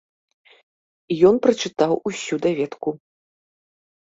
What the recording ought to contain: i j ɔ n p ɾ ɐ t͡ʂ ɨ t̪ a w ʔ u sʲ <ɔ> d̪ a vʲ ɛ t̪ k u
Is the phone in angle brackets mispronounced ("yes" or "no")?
yes